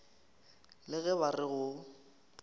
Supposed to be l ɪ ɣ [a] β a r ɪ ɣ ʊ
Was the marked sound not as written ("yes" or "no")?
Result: yes